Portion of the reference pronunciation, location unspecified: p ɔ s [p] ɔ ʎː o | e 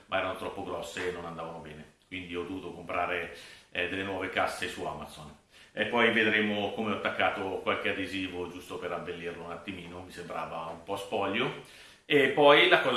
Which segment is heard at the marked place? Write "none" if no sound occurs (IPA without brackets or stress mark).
p